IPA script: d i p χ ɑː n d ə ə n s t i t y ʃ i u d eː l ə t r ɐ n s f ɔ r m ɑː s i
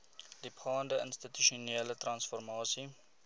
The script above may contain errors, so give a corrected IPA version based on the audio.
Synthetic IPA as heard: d i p χ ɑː n d ə ə n s t i t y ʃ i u n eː l ə t r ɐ n s f ɔ r m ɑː s i